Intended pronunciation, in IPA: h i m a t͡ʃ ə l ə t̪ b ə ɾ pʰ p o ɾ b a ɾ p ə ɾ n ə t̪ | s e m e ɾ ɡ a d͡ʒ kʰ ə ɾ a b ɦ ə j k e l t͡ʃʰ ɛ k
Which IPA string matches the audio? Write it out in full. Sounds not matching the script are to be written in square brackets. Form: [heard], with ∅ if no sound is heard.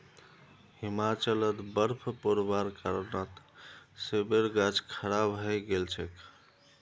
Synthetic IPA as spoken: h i m a t͡ʃ ə l ə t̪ b ə ɾ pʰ p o ɾ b a ɾ [k] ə ɾ n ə t̪ | s e [b] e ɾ ɡ a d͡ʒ kʰ ə ɾ a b ɦ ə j [ɡ] e l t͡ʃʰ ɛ k